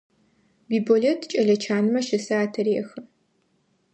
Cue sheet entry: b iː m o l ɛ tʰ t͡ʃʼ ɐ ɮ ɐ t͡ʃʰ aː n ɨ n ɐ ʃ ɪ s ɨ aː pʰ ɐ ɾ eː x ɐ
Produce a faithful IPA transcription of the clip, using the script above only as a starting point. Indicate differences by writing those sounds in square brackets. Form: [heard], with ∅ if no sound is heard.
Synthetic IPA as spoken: b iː [b] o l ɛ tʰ t͡ʃʼ ɐ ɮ ɐ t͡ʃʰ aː n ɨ [m] ɐ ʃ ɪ s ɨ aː [tʰ] ɐ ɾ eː x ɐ